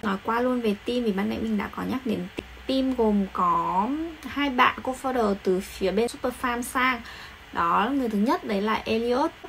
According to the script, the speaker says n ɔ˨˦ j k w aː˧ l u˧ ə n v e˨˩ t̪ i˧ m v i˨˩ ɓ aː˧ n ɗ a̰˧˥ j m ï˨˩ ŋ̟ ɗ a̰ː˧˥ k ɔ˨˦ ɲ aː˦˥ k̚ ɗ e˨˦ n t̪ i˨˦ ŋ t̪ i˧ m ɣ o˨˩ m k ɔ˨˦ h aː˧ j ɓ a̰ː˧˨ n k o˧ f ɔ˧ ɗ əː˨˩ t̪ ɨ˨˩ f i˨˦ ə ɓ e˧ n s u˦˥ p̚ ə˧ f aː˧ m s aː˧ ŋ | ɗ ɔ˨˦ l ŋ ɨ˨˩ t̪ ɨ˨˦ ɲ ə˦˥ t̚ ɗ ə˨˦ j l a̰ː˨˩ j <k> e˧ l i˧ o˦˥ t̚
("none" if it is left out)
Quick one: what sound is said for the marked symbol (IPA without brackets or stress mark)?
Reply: ʔ